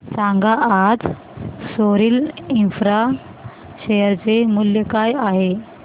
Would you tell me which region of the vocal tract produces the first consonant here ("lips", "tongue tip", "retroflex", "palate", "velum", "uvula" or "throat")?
tongue tip